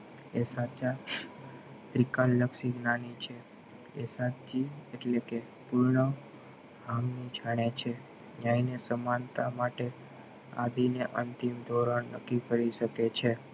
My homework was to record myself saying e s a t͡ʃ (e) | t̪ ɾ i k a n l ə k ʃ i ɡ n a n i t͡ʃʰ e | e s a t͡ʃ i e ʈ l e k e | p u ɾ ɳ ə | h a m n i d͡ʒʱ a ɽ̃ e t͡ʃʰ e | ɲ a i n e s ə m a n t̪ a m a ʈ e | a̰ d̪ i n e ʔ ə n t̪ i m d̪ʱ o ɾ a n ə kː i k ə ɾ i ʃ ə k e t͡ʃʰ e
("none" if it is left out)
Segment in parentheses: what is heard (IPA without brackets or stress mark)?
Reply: a